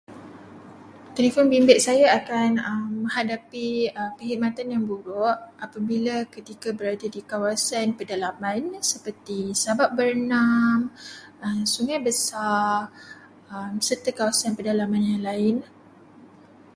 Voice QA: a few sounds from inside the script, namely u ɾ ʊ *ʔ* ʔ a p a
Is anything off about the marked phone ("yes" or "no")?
no